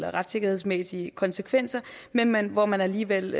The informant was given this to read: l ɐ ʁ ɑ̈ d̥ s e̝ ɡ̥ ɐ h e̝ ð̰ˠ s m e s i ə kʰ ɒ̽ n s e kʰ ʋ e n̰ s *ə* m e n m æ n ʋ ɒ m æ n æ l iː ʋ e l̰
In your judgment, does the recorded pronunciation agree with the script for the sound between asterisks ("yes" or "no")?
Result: no